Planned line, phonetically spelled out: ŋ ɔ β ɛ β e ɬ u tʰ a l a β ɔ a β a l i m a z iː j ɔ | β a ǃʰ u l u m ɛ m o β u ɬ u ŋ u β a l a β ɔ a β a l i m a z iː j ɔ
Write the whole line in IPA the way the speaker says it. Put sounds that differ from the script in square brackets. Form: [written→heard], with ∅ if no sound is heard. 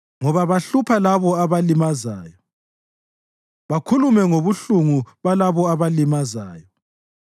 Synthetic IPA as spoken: ŋ ɔ β [ɛ→a] β [e→a] ɬ u [tʰ→pʰ] a l a β ɔ a β a l i m a z [iː→aː] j ɔ | β a [ǃʰ→kʰ] u l u m ɛ [m→ŋ] o β u ɬ u ŋ u β a l a β ɔ a β a l i m a z [iː→aː] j ɔ

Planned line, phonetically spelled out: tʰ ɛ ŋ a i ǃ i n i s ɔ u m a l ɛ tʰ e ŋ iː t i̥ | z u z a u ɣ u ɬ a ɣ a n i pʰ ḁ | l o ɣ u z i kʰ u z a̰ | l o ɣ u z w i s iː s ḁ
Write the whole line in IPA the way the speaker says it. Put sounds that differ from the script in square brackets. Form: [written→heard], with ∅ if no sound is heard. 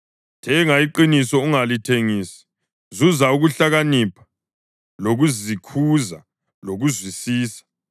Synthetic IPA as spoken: tʰ ɛ ŋ a i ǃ i n i s ɔ u [m→ŋ] a l [ɛ→i] tʰ e ŋ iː [t→s] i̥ | z u z a u ɣ u ɬ a ɣ a n i pʰ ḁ | l o ɣ u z i kʰ u z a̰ | l o ɣ u z w i s iː s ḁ

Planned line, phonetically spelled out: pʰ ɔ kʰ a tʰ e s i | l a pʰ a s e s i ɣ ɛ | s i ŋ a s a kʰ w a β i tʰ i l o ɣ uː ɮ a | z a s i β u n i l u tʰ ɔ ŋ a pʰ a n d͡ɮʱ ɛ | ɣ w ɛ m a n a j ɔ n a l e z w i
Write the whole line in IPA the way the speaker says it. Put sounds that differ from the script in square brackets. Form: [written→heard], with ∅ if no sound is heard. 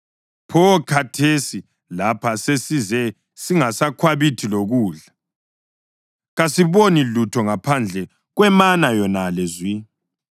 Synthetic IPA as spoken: pʰ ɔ kʰ a tʰ e s i | l a pʰ a s e s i [ɣ→z] ɛ | s i ŋ a s a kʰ w a β i tʰ i l o ɣ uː ɮ a | [z→ɣ] a s i β [u→o] n i l u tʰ ɔ ŋ a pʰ a n d͡ɮʱ ɛ | ɣ w ɛ m a n a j ɔ n a l e z w i

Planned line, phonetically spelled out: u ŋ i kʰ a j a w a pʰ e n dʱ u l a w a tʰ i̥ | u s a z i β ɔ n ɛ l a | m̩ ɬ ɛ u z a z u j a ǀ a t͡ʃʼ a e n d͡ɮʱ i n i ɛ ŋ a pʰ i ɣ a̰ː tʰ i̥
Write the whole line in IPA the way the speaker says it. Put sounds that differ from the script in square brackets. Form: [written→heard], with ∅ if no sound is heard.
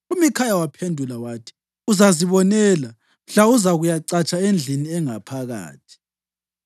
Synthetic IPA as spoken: u [ŋ→m] i kʰ a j a w a pʰ e n dʱ u l a w a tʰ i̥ | u [s→z] a z i β ɔ n ɛ l a | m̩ ɬ [ɛ→a] u z a [z→ɣ] u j a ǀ a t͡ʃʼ a e n d͡ɮʱ i n i ɛ ŋ a pʰ [i→a] ɣ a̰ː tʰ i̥

